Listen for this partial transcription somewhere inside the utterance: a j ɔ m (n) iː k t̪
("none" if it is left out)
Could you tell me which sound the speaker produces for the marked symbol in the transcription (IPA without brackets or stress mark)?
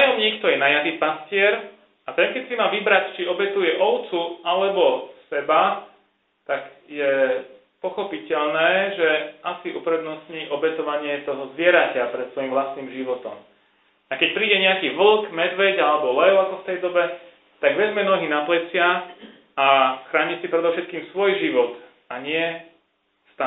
ɲ